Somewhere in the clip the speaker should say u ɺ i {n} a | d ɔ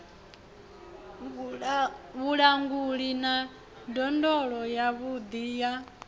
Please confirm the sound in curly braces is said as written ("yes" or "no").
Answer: yes